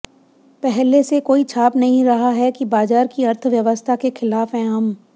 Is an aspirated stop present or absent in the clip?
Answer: present